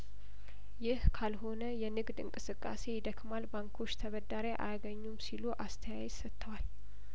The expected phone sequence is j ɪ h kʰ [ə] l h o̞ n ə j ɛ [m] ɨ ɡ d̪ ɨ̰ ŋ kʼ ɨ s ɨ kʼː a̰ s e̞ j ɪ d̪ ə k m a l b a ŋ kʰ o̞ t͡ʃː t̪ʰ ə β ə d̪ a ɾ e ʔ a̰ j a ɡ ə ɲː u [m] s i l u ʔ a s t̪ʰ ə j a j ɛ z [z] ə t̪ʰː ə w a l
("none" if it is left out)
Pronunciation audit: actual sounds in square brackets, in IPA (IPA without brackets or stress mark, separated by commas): a, n, m, s